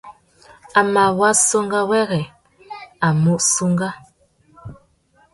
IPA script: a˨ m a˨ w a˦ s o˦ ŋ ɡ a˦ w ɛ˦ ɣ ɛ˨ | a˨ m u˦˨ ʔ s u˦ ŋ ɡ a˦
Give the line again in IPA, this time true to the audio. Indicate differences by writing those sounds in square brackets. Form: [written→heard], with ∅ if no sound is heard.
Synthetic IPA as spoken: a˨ m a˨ w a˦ s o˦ ŋ ɡ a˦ w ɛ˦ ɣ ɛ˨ | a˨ m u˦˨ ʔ s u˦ ŋ ɡ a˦